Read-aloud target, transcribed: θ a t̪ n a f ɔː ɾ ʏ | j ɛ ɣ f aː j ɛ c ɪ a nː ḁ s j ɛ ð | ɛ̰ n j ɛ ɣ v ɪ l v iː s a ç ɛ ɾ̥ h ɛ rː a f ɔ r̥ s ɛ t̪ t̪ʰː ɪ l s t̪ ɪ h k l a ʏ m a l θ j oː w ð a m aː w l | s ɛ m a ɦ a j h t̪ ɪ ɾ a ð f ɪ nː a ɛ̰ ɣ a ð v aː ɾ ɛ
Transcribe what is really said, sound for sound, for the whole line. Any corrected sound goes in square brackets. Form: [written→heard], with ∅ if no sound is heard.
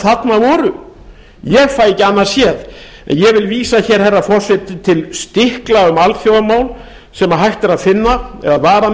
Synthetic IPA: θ a t̪ n a [f→v] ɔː ɾ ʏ | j ɛ ɣ f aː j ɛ c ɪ a nː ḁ s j ɛ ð | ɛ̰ n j ɛ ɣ v ɪ l v iː s a ç ɛ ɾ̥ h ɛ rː a f ɔ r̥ s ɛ t̪ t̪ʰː ɪ l s t̪ ɪ h k l a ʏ m a l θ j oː w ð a m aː w l | s ɛ m a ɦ a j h t̪ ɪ ɾ a ð f ɪ nː a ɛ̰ [ɣ→ð] a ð v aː ɾ [ɛ→a]